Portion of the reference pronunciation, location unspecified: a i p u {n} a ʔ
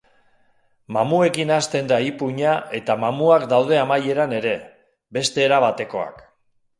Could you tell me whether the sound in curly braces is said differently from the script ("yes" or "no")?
yes